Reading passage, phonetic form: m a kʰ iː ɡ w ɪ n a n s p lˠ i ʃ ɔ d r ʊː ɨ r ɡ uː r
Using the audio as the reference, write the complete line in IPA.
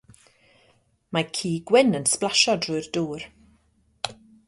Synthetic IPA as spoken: m a kʰ iː ɡ w ɪ n ə n s p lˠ a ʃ ɔ d r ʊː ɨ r d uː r